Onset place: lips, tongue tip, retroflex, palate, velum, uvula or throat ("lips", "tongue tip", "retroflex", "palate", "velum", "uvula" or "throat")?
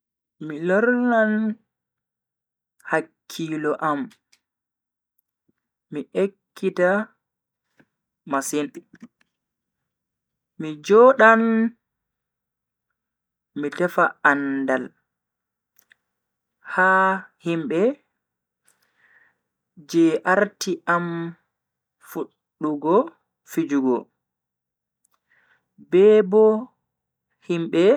lips